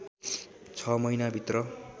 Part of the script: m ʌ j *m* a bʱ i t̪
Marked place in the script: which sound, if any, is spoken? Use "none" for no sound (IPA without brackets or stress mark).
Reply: n